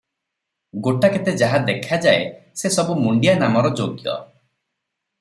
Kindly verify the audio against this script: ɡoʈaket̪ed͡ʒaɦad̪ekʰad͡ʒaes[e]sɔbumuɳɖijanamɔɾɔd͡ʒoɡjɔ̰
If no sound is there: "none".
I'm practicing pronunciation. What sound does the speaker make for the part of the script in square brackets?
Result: e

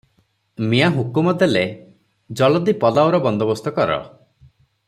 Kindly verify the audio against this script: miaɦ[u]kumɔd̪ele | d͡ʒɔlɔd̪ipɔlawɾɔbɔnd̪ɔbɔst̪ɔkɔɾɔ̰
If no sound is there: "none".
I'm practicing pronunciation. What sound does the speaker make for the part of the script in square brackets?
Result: u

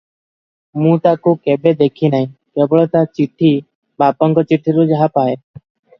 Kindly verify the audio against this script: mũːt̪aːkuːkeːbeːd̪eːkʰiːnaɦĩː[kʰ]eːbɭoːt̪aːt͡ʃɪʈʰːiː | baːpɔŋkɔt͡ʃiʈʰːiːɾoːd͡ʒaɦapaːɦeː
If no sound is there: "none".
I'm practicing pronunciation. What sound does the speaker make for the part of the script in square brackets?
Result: k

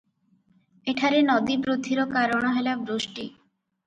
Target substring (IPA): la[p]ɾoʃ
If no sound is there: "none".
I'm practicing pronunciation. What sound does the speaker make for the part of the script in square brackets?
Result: b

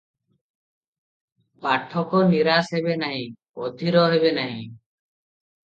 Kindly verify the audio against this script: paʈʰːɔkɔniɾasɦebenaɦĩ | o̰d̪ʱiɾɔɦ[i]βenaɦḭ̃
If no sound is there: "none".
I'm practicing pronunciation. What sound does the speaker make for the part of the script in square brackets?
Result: e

